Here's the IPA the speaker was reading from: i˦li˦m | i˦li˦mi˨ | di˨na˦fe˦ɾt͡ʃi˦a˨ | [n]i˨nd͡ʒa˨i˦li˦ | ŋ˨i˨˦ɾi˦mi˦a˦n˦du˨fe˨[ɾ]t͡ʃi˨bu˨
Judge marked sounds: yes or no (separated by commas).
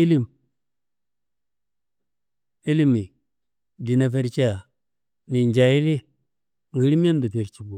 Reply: yes, yes